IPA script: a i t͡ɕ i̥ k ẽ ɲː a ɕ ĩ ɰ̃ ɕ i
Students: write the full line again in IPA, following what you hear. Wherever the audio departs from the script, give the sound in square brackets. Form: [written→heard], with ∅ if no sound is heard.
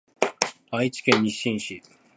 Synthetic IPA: a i t͡ɕ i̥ k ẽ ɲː [a→i] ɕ ĩ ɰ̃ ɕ i